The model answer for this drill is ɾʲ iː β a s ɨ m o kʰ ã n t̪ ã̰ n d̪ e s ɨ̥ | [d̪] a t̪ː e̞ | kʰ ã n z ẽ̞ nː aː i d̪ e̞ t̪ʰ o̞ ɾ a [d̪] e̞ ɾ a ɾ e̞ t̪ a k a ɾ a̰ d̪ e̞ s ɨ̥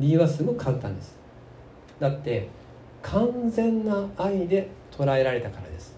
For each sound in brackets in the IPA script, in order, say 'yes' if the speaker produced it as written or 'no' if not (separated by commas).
yes, no